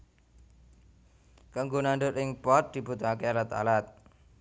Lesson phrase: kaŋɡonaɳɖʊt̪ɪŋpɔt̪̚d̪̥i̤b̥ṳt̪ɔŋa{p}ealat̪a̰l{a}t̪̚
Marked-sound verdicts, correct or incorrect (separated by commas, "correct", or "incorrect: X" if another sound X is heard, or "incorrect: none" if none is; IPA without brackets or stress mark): incorrect: k, correct